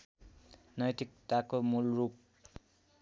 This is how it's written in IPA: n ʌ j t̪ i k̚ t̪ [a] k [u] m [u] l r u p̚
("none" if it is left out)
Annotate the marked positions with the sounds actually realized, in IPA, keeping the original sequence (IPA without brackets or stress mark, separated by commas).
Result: a, o, u